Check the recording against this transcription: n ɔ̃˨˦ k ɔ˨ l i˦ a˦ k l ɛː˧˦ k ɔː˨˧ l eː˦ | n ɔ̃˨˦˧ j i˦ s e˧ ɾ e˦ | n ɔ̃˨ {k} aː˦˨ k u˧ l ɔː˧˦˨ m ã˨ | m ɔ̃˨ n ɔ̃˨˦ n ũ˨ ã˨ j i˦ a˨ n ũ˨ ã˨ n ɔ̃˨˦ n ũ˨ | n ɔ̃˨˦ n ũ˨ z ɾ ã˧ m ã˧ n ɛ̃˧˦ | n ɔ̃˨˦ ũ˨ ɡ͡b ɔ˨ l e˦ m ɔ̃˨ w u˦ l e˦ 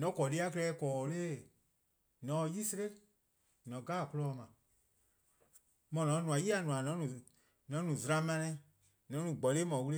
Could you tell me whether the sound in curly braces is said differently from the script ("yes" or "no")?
yes